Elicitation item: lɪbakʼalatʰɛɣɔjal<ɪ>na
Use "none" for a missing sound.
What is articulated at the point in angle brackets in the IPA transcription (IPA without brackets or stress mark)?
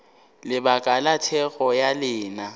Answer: ɪː